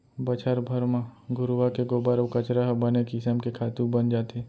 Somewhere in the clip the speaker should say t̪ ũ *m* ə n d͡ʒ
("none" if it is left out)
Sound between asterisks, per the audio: b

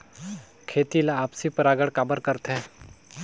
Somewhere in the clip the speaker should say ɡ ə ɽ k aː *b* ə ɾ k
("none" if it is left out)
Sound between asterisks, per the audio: b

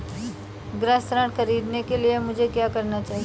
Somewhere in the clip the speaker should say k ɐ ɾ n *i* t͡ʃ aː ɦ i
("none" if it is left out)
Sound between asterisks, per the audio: a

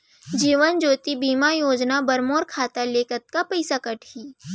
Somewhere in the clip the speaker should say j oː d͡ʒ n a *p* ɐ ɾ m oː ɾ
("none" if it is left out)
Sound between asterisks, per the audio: b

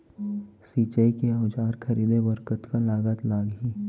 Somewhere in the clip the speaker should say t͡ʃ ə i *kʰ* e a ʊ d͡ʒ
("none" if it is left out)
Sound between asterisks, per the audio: k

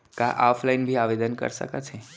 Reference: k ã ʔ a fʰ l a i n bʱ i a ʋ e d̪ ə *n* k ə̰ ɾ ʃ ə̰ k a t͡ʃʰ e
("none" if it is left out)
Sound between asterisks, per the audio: n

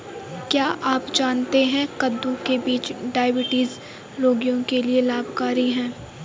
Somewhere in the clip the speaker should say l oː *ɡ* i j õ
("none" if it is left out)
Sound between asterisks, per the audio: ɡ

